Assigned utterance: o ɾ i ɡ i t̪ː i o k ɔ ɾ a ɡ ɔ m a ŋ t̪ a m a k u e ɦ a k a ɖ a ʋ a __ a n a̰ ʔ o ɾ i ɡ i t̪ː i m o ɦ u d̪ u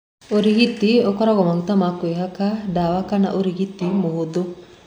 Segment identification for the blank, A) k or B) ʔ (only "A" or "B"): A